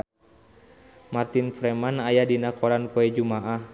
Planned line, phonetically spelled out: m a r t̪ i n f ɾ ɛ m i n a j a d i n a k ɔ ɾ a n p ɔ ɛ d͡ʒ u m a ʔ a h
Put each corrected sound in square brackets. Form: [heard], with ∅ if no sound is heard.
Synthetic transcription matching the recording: m a r t̪ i n f ɾ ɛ m [a] n a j a d i n a k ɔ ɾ a n p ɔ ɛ d͡ʒ u m a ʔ a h